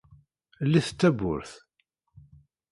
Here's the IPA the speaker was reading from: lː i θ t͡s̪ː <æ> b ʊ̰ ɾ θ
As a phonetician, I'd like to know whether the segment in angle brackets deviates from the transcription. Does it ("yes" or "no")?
no